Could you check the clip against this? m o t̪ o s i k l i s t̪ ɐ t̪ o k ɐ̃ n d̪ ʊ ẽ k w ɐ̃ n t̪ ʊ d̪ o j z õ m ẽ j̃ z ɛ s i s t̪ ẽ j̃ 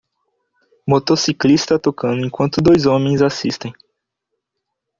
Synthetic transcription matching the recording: m o t̪ o s i k l i s t̪ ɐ t̪ o k ɐ̃ n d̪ ʊ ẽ k w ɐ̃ n t̪ ʊ d̪ o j z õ m ẽ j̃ z a s i s t̪ ẽ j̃